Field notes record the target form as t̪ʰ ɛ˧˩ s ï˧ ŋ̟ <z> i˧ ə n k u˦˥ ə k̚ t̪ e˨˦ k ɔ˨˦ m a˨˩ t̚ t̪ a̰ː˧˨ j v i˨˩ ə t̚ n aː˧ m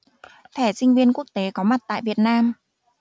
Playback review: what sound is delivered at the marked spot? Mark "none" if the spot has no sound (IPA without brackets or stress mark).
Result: v